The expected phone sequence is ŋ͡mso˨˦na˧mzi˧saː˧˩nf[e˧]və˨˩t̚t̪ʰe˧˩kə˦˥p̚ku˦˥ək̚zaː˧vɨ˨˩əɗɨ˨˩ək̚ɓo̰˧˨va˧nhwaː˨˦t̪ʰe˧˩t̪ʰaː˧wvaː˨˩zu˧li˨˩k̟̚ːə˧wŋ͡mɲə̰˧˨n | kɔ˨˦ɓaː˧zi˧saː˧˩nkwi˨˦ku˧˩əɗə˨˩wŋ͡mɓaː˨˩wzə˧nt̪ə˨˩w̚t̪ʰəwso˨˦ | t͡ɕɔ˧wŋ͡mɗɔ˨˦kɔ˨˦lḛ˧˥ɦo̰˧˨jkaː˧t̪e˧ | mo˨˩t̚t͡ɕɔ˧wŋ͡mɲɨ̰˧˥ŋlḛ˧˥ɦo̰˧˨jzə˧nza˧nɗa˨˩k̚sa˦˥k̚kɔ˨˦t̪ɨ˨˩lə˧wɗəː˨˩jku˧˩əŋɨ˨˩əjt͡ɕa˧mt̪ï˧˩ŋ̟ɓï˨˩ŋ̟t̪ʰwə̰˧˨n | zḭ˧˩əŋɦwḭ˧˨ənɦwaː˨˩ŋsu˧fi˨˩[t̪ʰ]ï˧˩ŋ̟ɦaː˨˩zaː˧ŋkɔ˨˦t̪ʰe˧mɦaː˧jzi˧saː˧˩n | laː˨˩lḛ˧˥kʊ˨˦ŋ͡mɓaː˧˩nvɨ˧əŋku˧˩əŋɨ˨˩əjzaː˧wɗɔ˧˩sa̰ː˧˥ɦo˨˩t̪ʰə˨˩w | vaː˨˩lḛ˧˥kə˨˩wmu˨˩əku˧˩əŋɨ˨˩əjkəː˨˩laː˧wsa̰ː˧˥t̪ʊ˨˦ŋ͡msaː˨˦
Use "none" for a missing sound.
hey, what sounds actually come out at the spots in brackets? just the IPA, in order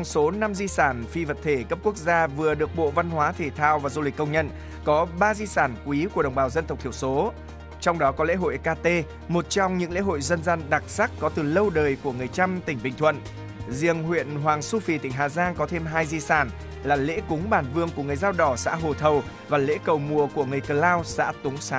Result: i˧, t̪

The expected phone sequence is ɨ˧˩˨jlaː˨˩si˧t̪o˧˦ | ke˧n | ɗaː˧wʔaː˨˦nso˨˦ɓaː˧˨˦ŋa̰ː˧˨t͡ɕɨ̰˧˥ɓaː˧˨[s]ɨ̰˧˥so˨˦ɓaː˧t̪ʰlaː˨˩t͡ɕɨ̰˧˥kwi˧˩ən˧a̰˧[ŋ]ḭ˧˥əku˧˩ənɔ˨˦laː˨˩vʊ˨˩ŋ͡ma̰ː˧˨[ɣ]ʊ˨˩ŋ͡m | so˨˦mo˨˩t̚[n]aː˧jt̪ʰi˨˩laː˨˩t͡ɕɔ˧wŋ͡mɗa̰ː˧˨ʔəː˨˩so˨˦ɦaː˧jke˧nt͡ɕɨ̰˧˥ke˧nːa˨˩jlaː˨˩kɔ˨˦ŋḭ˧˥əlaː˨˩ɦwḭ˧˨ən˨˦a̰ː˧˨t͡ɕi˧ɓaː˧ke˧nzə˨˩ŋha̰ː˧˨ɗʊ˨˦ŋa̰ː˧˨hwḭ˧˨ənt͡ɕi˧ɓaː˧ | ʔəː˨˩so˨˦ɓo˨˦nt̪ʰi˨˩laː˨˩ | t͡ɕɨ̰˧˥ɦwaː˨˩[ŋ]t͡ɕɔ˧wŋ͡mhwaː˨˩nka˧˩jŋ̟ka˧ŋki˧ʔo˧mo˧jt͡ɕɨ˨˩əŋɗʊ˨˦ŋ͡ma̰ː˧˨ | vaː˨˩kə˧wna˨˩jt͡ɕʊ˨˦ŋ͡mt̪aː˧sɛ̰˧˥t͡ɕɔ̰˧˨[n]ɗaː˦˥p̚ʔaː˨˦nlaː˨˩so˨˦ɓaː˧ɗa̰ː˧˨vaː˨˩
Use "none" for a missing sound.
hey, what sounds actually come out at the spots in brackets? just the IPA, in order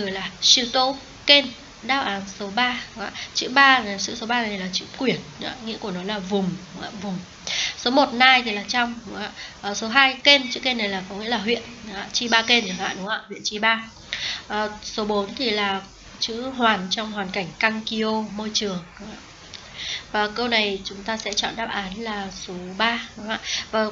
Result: s, ŋ, v, n, n, n

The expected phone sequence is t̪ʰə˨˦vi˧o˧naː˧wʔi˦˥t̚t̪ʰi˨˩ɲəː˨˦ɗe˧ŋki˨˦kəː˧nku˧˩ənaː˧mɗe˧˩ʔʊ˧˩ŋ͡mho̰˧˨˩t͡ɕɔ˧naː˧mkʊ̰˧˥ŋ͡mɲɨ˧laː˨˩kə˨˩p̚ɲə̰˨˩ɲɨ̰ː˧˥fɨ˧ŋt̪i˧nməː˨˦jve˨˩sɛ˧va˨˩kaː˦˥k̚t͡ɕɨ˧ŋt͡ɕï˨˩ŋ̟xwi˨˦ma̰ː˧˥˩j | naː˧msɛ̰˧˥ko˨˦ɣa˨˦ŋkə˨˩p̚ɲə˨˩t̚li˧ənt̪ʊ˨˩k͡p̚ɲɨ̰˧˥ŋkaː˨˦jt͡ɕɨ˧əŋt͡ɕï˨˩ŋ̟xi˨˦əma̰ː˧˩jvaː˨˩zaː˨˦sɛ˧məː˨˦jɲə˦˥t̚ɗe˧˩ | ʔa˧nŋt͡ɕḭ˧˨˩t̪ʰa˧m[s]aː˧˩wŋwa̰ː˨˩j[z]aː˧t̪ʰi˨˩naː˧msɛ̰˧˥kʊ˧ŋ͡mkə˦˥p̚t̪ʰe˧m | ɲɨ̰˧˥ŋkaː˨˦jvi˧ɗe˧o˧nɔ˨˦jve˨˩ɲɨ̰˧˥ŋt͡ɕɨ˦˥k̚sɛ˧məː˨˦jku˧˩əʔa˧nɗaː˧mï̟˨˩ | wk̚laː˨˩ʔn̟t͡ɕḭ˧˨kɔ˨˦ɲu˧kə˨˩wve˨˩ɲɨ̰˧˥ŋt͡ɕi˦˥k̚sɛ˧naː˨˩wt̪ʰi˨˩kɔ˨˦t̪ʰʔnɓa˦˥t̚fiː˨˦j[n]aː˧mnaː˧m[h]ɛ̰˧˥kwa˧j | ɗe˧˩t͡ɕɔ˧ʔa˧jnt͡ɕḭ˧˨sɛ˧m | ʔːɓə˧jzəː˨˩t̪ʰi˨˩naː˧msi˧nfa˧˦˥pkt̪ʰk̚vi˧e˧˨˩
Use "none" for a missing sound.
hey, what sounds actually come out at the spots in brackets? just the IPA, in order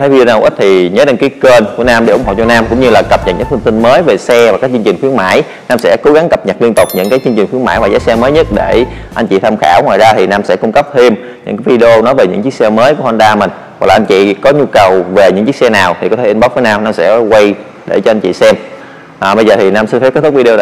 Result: x, z, n, s

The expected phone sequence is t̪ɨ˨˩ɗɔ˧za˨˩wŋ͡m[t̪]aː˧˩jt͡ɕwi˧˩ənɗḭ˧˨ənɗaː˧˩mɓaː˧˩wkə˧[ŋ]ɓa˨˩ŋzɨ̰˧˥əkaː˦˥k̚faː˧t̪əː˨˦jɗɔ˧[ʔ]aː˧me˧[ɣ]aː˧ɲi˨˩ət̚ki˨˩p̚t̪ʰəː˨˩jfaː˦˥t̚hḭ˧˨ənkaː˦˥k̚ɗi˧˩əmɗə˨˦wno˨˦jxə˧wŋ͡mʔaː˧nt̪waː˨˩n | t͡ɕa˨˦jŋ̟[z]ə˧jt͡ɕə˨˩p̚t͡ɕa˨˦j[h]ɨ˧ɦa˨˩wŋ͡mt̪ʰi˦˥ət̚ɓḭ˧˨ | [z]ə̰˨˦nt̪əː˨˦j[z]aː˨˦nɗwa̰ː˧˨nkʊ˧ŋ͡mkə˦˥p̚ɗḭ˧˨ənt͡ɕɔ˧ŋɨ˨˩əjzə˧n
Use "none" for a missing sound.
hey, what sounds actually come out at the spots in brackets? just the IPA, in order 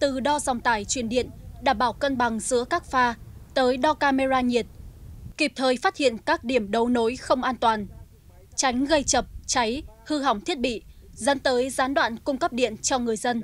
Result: t̪, n, k, z, ɣ, h, z, z

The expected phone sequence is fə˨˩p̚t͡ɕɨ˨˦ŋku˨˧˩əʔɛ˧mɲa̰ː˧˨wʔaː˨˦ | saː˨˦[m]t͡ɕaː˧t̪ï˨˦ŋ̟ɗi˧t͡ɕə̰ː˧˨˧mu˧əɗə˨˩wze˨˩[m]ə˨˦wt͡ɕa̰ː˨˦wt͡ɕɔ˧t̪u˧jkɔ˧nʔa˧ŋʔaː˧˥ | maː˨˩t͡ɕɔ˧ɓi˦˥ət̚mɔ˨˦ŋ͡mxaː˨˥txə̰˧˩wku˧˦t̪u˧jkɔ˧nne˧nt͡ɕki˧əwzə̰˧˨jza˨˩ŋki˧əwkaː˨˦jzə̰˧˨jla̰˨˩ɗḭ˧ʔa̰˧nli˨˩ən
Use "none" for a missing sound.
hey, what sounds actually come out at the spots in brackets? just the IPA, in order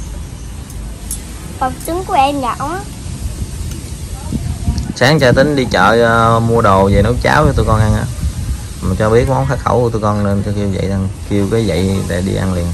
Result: ŋ, n

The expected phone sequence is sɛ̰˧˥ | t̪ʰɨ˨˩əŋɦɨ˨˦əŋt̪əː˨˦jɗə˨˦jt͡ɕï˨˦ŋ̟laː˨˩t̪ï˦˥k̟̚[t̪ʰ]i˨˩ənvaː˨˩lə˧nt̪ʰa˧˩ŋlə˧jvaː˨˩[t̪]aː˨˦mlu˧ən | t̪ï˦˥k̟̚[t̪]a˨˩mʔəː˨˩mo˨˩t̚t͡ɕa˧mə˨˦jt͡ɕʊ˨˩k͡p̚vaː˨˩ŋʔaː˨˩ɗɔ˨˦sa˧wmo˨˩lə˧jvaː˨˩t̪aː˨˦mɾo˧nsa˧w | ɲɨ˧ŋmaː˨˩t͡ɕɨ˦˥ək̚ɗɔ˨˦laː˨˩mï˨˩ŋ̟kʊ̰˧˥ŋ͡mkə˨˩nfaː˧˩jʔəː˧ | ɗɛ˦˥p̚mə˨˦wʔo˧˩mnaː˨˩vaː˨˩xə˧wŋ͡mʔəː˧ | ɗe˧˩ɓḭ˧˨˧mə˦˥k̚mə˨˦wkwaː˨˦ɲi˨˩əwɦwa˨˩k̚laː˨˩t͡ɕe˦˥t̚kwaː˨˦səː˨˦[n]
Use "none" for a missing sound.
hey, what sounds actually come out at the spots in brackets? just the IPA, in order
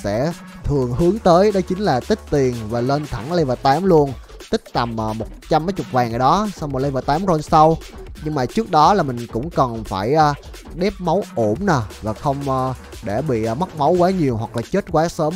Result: t̪, t̪, t̪, m

